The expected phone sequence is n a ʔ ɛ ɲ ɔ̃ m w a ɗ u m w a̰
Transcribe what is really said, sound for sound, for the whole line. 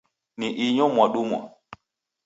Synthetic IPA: n i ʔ i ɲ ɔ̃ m w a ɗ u m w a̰